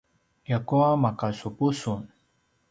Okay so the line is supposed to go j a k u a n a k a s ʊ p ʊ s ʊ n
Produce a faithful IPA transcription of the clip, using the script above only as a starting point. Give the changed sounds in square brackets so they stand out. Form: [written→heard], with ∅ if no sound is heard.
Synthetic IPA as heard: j a k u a [n→m] a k a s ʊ p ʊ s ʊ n